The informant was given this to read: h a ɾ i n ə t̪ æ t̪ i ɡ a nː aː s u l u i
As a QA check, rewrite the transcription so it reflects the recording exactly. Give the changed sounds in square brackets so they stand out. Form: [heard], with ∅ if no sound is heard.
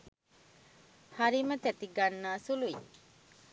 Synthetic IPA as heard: h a ɾ i [m] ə t̪ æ t̪ i ɡ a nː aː s u l u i